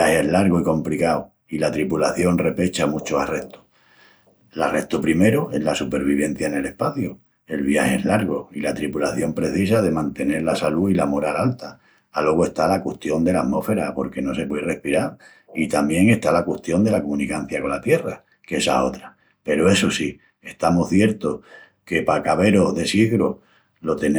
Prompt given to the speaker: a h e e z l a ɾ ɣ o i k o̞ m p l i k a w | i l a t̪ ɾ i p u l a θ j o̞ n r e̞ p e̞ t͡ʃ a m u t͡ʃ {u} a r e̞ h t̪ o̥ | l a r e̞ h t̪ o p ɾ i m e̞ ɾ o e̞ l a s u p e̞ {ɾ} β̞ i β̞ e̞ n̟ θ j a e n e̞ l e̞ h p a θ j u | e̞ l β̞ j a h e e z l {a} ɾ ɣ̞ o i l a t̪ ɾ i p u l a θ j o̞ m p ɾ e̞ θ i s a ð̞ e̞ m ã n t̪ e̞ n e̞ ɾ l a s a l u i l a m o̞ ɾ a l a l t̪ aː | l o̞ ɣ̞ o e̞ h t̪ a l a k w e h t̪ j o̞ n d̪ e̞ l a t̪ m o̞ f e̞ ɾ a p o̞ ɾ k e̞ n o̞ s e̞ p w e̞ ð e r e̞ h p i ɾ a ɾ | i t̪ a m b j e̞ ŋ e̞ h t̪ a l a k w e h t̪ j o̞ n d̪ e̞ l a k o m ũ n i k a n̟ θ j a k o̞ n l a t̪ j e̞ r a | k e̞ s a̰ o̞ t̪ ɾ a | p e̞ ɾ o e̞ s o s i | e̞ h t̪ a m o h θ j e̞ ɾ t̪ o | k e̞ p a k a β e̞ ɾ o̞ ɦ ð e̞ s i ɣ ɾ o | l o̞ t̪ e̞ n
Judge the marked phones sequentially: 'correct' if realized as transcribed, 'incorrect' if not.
incorrect: o, correct, correct

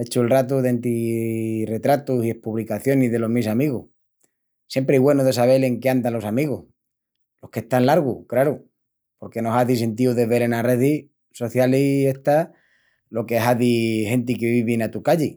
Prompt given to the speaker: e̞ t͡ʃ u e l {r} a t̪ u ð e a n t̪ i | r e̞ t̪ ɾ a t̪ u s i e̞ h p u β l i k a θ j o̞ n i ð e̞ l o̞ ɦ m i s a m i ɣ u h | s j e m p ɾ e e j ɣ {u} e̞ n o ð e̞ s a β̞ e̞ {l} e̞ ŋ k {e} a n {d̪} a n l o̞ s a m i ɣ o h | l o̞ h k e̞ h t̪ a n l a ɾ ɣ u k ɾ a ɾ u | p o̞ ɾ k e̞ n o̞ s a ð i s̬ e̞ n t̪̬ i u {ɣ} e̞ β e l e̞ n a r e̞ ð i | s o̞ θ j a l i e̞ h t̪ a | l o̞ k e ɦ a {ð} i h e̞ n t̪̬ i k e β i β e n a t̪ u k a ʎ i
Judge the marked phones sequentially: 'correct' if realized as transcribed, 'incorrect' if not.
correct, incorrect: w, correct, correct, correct, incorrect: ð, correct

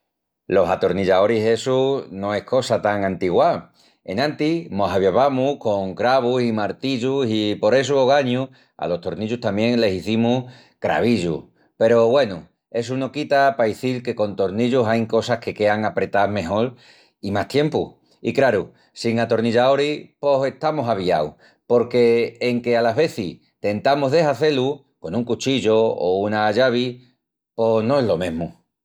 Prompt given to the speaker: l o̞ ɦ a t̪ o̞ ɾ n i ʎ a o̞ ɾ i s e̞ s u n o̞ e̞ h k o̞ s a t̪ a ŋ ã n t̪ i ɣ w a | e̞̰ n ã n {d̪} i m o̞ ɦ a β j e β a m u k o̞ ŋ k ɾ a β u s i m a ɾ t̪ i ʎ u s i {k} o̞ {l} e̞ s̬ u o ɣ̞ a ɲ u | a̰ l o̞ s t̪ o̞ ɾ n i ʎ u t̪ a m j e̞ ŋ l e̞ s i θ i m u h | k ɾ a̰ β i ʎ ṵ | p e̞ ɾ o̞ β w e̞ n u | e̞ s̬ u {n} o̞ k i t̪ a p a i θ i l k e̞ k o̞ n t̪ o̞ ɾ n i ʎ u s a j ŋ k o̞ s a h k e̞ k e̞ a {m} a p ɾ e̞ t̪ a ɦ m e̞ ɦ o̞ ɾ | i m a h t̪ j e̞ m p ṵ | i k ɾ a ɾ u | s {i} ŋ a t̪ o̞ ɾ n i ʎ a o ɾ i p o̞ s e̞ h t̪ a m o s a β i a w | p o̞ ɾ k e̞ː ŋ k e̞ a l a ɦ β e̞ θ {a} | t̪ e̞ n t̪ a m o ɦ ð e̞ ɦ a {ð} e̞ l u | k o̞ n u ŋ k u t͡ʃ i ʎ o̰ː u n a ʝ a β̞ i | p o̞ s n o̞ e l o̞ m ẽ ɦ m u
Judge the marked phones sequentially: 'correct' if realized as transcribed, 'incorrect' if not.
incorrect: t̪, incorrect: p, incorrect: ɾ, correct, incorrect: ŋ, correct, incorrect: i, incorrect: θ

